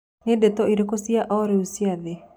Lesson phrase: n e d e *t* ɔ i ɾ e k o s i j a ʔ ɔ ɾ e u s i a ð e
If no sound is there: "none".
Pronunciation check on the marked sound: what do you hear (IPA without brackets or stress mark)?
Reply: t